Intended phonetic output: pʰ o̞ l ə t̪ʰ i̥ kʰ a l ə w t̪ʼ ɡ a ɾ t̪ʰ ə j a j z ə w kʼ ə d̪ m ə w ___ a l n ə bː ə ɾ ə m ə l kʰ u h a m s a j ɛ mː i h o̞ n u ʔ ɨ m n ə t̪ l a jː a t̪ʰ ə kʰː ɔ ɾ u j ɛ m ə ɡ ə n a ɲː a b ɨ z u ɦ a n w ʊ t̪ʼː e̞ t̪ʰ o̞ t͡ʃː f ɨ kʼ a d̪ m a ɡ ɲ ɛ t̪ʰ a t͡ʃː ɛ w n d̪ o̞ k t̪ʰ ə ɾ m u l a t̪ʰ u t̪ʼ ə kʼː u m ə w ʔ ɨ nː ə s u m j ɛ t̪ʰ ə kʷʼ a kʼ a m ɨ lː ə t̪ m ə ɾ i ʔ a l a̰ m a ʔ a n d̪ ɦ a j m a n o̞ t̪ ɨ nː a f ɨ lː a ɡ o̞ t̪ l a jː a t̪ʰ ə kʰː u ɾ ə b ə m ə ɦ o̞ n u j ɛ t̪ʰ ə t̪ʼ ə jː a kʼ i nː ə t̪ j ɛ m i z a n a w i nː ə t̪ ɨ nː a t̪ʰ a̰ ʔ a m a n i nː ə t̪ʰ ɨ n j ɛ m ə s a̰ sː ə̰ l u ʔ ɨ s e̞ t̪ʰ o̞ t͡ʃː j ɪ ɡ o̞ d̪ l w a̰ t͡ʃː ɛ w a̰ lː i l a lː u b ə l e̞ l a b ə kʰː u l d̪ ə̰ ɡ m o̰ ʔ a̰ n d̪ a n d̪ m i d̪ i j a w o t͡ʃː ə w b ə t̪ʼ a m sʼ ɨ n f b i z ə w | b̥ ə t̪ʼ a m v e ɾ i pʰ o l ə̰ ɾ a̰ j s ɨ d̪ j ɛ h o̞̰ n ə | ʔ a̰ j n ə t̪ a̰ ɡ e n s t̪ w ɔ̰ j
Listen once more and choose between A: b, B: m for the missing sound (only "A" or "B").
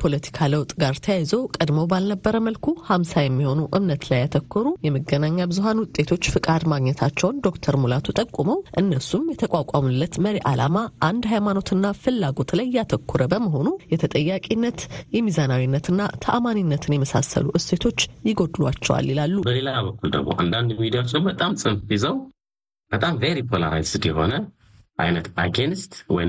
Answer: A